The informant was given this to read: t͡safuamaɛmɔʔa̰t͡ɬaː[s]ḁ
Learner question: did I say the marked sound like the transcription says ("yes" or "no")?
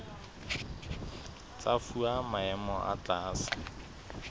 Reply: yes